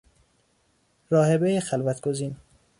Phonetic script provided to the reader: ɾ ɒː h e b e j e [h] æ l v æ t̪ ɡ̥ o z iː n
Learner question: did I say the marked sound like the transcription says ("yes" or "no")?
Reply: no